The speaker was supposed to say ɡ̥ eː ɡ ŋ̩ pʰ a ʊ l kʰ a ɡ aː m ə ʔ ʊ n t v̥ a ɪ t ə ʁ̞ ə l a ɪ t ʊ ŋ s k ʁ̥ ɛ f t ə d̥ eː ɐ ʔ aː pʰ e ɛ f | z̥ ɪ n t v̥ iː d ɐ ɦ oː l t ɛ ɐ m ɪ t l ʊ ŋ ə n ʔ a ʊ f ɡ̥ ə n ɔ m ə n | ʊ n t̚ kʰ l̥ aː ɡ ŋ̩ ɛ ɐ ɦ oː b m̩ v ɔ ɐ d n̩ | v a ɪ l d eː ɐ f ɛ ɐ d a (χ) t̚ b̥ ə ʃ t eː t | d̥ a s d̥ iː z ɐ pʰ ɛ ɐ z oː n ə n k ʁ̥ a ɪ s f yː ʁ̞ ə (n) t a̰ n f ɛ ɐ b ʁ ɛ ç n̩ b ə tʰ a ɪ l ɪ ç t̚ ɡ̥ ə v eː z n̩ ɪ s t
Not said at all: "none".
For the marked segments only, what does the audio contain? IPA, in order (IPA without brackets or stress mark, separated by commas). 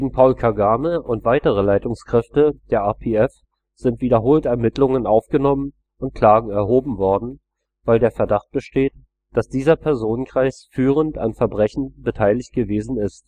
χ, n